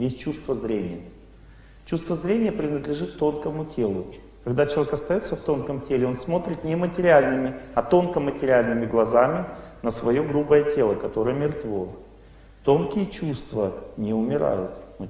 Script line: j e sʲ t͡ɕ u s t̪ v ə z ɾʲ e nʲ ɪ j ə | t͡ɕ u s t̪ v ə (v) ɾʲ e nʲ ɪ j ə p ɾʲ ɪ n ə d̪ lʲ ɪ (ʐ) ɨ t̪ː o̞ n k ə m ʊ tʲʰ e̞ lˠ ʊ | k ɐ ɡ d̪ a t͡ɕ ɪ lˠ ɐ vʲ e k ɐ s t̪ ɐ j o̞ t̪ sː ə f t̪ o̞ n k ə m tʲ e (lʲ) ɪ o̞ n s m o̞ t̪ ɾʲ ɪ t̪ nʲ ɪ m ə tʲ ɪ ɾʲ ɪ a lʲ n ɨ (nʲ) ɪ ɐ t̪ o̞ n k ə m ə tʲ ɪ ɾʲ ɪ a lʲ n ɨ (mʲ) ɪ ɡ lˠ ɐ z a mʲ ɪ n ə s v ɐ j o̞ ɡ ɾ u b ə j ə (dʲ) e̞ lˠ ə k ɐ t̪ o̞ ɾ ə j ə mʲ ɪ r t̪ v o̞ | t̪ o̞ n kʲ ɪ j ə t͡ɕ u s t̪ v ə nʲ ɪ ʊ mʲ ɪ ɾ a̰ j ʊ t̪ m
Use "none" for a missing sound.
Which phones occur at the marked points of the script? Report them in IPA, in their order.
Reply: z, ʐ, lʲ, mʲ, mʲ, tʲ

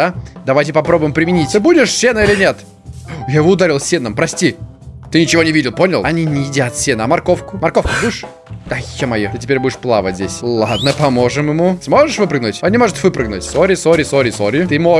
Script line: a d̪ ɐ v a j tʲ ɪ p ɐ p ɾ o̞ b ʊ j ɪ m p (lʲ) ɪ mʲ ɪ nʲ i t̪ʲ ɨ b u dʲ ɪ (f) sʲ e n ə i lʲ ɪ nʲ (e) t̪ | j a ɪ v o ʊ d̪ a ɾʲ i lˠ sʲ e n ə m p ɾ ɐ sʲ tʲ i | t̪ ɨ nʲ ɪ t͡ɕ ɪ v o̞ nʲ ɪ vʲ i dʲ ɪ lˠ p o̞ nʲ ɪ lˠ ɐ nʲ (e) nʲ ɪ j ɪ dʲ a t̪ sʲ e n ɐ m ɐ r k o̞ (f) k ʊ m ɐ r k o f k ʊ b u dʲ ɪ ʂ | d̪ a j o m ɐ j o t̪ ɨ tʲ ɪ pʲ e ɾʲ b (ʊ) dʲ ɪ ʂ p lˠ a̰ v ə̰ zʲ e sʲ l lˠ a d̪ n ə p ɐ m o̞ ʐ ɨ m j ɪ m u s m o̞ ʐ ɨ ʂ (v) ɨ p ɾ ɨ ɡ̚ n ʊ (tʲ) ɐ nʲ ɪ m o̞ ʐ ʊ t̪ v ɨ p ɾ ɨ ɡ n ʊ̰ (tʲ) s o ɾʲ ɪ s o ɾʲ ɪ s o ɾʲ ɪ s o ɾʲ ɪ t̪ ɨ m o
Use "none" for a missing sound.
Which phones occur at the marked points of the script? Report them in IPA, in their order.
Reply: ɾʲ, ʂ, e, i, f, u, v, tʲ, tʲ

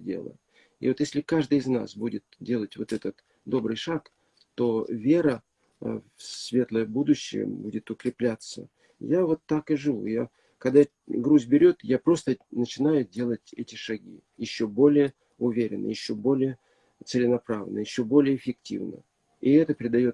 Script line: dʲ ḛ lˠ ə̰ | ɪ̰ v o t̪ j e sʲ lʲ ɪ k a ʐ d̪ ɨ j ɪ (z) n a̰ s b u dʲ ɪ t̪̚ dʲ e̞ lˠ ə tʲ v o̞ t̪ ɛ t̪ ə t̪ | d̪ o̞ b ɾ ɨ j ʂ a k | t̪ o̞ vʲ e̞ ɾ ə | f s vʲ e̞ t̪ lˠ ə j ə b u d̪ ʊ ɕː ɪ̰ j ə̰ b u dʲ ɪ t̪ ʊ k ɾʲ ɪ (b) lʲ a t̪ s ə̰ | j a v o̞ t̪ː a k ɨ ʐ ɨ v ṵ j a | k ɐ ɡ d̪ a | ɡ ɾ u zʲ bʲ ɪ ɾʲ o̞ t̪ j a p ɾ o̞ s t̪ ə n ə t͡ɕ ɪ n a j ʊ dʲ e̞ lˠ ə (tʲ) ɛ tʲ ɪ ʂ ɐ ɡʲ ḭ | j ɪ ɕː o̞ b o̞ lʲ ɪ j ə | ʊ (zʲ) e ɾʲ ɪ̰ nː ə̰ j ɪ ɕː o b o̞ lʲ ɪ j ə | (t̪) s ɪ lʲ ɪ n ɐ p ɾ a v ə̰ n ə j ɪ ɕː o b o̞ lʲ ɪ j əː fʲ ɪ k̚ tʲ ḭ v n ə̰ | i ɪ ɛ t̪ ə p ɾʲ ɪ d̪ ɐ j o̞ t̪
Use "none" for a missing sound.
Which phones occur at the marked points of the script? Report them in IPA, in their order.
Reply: z, p, tʲ, vʲ, t̪

